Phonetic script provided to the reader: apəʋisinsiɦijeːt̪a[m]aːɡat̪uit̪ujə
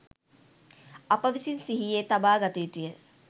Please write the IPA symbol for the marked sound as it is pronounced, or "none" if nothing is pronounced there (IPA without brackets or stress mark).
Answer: b